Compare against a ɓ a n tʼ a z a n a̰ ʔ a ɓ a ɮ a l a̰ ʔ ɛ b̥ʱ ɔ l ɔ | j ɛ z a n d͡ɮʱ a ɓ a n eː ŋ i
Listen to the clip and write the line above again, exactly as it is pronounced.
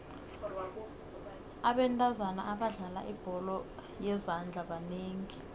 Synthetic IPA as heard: a ɓ ɛ n tʼ a z a n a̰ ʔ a ɓ a ɮ a l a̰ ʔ i b̥ʱ ɔ l ɔ | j ɛ z a n d͡ɮʱ a ɓ a n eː ŋ i